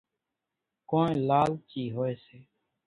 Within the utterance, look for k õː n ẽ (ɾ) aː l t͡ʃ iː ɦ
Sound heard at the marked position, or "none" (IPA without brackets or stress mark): l